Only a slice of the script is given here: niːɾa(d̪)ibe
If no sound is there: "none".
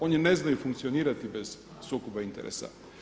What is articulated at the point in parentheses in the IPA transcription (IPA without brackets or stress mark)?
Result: t̪